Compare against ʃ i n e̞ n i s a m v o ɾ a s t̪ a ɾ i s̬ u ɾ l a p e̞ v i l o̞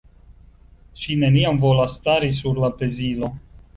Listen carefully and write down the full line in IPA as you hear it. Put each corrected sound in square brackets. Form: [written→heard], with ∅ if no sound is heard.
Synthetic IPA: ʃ i n e̞ n i [s→∅] a m v o [ɾ→l] a s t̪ a ɾ i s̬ u ɾ l a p e̞ [v→z] i l o̞